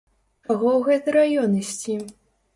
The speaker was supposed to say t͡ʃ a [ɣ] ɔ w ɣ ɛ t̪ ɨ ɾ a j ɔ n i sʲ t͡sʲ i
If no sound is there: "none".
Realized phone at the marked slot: ɣ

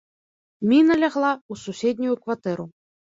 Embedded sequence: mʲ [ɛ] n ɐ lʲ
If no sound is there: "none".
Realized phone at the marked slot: i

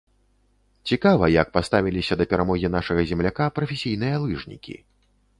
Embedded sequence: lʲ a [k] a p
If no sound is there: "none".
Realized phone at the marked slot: k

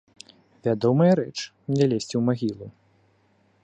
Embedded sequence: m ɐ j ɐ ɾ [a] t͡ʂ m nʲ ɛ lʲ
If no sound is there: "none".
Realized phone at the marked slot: ɛ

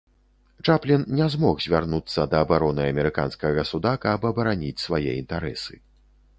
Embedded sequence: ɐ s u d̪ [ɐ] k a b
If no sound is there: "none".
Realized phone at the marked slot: a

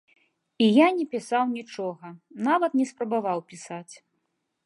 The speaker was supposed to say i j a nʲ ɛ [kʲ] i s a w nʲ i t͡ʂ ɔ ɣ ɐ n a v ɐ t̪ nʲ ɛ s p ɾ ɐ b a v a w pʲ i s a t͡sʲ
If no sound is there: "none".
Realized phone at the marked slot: pʲ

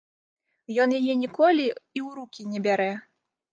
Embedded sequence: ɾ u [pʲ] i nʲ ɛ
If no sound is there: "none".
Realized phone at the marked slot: kʲ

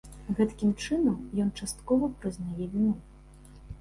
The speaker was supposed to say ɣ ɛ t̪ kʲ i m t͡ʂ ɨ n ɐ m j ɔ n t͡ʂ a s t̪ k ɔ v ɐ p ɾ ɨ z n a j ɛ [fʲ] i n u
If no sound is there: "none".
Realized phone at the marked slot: vʲ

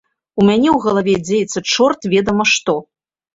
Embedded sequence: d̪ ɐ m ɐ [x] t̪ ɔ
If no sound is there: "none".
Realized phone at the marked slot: ʂ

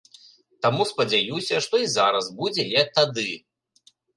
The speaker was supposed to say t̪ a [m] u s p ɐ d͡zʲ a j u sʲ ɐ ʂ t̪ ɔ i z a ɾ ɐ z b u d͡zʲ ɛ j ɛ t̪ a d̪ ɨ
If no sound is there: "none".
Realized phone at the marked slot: m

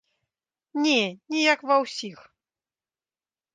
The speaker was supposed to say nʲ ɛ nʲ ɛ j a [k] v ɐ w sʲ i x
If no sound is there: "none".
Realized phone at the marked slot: k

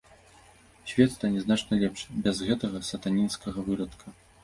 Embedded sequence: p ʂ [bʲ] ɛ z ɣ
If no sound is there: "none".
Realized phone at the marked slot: bʲ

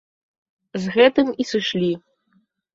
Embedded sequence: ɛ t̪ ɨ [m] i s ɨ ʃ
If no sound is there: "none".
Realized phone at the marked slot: m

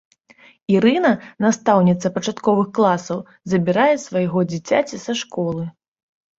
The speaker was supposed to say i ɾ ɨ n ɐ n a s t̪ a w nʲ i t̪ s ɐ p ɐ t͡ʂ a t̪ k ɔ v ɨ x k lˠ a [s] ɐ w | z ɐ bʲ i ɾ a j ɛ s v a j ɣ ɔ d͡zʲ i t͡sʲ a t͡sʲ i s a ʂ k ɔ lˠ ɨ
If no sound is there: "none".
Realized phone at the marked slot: s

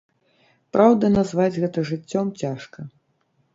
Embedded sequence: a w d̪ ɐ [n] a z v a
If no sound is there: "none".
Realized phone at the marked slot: n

